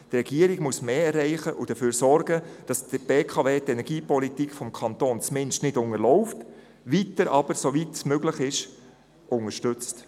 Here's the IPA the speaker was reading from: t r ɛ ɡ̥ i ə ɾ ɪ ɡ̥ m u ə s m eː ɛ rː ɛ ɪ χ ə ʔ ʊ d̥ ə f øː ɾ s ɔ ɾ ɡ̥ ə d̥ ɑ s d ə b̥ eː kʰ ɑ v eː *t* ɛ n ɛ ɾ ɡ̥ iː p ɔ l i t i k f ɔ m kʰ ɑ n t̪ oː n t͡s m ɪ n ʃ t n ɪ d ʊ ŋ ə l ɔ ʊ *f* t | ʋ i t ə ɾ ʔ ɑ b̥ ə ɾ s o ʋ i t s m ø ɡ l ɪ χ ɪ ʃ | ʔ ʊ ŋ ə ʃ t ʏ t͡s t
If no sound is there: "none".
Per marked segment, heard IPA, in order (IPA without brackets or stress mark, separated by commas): t, f